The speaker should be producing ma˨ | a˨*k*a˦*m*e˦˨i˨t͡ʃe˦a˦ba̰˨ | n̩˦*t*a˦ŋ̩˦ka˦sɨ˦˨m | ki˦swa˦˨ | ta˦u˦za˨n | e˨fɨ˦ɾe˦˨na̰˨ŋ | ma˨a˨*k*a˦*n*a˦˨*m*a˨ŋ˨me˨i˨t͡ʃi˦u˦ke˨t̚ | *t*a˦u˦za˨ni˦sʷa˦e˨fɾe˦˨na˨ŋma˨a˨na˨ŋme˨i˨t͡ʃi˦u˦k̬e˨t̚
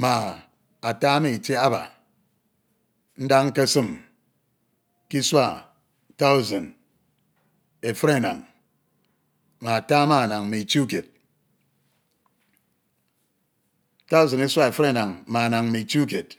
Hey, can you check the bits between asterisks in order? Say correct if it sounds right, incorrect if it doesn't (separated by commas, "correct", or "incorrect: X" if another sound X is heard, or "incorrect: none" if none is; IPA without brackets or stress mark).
incorrect: t, correct, incorrect: d, incorrect: t, incorrect: m, incorrect: n, correct